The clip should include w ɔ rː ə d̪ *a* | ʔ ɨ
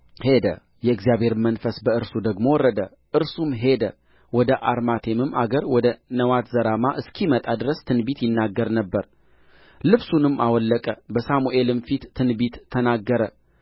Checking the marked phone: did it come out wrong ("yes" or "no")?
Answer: yes